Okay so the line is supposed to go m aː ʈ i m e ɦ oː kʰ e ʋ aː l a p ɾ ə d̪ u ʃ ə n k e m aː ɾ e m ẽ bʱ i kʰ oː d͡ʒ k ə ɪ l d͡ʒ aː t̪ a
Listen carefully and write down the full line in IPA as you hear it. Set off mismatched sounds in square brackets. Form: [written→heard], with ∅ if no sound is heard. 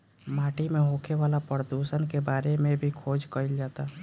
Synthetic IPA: m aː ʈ i m e ɦ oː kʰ e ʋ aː l a p ɾ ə d̪ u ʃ ə n k e [m→b] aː ɾ e m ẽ bʱ i kʰ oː d͡ʒ k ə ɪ l d͡ʒ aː t̪ a